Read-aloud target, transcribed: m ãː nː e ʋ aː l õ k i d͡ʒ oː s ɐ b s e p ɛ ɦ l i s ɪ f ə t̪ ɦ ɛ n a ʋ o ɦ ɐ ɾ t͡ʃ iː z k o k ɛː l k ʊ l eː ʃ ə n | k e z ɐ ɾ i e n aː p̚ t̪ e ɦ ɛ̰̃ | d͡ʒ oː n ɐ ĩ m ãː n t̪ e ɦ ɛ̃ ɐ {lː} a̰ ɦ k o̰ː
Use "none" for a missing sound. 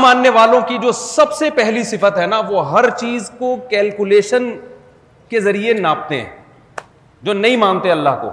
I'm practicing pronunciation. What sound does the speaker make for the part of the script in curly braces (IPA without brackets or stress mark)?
lː